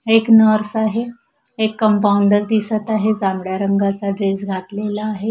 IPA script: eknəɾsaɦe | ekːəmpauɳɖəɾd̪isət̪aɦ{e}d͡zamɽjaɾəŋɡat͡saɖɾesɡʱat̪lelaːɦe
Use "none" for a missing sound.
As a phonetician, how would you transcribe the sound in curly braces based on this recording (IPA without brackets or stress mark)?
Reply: e